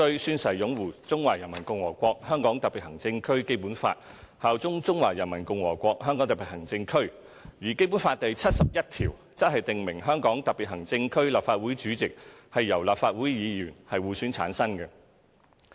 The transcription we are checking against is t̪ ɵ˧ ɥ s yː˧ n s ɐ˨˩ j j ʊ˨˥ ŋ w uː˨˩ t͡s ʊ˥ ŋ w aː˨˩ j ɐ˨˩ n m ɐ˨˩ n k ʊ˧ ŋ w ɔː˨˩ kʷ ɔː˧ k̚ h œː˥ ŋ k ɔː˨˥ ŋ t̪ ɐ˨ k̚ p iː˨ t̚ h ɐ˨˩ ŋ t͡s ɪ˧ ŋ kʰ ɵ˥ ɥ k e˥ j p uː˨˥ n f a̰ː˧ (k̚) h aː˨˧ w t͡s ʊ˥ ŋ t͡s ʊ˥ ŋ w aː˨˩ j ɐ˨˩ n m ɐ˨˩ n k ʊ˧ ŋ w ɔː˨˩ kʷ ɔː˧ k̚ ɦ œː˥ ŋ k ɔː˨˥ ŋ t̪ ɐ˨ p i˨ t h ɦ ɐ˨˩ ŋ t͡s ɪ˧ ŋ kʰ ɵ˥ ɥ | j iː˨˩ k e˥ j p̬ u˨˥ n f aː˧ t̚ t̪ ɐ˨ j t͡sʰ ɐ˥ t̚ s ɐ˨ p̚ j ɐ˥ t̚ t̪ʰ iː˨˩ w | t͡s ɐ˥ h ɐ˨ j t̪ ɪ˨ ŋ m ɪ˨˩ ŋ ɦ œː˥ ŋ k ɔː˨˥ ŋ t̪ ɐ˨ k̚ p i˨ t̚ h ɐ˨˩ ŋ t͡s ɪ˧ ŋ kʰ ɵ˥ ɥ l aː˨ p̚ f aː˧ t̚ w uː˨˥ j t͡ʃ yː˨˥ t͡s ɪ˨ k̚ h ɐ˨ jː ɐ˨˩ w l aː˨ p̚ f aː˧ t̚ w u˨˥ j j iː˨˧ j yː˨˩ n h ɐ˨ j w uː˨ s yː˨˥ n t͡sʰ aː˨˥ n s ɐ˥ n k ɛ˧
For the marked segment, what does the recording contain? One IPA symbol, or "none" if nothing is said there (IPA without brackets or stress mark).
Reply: t̚